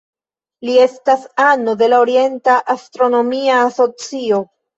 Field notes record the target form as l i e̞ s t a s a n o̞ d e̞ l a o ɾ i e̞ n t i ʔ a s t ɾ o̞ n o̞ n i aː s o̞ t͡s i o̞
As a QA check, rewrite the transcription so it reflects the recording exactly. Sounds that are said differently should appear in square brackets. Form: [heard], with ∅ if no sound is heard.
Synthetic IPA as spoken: l i e̞ s t a s a n o̞ d e̞ l a o ɾ i e̞ n t [a] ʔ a s t ɾ o̞ n o̞ [m] i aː s o̞ t͡s i o̞